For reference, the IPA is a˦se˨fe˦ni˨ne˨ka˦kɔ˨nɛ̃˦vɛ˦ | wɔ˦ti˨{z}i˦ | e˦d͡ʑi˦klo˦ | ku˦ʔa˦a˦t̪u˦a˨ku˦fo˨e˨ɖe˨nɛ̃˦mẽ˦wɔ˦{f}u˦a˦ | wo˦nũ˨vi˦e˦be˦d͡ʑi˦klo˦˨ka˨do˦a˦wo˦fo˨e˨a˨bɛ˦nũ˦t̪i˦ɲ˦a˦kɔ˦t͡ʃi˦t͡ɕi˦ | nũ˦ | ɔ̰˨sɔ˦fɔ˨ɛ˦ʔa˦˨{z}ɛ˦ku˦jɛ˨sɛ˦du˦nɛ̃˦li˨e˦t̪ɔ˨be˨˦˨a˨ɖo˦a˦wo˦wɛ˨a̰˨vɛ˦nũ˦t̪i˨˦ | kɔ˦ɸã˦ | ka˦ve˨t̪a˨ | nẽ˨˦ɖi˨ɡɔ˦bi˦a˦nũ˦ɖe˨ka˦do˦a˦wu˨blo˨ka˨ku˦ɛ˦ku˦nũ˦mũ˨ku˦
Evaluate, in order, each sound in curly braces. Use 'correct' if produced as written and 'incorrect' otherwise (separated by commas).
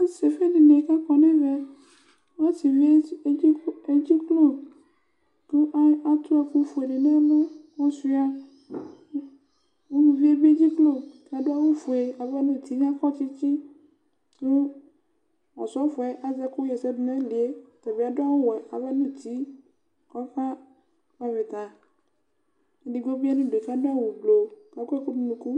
incorrect, incorrect, correct